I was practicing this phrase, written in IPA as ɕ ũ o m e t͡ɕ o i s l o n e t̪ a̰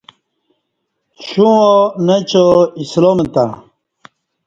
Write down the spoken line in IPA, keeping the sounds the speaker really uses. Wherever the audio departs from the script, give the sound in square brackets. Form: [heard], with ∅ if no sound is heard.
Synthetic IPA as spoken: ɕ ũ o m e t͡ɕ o i s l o [m] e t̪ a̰